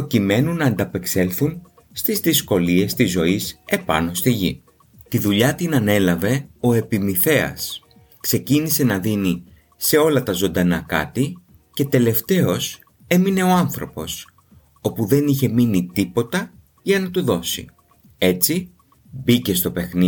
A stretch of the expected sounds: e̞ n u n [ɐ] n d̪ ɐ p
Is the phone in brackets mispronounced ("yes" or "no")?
yes